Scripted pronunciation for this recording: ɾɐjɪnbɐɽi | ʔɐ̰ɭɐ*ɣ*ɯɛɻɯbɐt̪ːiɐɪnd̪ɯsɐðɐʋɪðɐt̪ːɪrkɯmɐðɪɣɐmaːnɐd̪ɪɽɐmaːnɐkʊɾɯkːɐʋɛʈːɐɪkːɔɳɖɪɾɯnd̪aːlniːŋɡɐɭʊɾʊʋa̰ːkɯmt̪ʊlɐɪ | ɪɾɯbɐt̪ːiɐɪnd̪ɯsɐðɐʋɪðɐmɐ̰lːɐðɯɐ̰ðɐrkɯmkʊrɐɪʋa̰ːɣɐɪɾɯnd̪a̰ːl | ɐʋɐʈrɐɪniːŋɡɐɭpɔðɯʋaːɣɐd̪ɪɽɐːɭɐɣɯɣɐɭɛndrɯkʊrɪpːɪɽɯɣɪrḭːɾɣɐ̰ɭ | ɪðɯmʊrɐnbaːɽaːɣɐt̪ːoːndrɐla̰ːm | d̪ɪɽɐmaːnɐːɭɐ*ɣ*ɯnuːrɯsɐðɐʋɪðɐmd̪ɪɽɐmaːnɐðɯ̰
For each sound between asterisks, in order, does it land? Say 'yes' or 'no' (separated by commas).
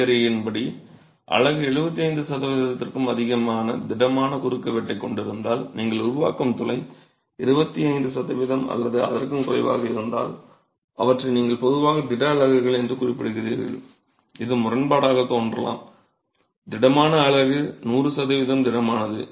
yes, yes